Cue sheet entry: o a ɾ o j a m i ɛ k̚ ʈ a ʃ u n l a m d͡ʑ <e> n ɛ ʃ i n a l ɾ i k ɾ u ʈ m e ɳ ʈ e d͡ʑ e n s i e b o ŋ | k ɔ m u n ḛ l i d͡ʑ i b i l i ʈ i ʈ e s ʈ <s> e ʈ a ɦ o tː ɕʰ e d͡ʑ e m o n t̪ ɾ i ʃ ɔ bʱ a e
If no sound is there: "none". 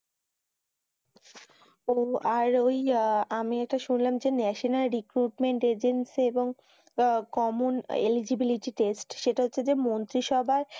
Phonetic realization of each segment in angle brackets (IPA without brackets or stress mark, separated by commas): e, ʃ